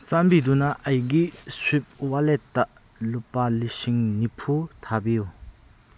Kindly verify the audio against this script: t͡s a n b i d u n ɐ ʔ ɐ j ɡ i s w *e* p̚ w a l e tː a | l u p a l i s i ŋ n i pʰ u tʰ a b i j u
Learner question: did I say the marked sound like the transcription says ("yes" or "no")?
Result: no